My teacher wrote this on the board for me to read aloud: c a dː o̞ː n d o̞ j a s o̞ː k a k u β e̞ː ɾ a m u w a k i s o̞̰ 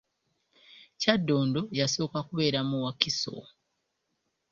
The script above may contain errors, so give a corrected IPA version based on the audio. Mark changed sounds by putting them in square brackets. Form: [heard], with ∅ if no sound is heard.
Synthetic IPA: c a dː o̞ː n d o̞ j a s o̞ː k a k u β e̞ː ɾ a m u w a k i s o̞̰